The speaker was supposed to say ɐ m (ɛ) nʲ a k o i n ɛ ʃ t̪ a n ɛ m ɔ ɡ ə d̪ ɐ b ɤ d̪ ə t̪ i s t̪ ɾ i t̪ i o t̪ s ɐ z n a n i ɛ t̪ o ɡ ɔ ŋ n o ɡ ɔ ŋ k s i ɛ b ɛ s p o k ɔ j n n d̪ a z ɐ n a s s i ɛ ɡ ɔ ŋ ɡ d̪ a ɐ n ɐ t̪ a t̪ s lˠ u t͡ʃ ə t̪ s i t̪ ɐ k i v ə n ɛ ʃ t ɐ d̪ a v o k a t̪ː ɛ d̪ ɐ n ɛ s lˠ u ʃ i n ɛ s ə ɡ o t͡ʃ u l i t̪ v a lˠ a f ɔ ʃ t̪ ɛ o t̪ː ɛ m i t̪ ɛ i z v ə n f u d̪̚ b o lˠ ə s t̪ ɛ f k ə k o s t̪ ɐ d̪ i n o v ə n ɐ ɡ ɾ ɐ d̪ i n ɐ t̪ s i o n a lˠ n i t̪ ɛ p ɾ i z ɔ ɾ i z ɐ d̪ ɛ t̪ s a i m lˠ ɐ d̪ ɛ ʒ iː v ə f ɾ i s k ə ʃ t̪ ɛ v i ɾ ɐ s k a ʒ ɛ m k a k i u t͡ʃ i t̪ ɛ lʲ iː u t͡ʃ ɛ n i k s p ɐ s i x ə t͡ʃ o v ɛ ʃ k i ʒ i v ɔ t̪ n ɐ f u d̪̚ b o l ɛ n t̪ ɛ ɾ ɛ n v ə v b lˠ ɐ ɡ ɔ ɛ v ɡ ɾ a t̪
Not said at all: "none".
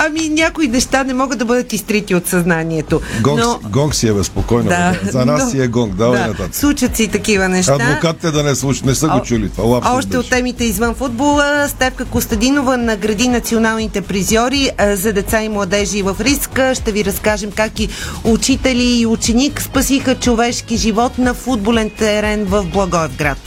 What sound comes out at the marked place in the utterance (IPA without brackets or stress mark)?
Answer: i